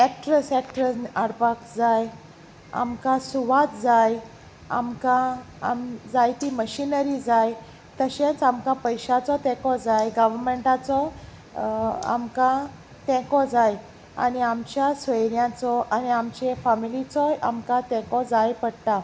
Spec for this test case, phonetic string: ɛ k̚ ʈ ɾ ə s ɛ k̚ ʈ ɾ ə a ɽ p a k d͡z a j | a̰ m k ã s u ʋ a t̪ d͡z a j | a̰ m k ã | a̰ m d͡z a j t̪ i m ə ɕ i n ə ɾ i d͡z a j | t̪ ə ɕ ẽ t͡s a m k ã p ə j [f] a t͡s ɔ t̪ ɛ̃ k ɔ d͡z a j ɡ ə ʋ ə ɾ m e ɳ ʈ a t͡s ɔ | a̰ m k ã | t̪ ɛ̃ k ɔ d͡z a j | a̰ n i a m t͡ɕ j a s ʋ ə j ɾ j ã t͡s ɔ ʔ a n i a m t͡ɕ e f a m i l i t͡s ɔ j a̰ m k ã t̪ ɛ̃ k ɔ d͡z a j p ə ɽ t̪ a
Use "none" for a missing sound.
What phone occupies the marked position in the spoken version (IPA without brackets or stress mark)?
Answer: ɕ